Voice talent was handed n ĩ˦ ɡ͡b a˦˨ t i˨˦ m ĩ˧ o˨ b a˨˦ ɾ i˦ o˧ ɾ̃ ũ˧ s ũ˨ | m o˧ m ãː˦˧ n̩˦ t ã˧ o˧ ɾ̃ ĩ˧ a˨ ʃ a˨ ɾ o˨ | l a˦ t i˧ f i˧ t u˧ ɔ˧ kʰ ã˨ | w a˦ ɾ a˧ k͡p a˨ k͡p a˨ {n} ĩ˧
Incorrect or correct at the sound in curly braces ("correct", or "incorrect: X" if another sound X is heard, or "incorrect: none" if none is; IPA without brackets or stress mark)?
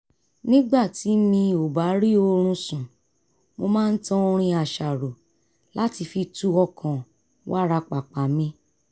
incorrect: m